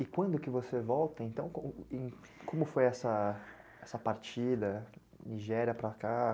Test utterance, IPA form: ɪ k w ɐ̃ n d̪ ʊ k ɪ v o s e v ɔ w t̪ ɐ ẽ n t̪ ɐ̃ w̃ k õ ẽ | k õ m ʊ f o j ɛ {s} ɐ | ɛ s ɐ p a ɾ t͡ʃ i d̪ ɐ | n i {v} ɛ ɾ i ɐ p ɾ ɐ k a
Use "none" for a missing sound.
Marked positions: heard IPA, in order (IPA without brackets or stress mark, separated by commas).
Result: s, ʒ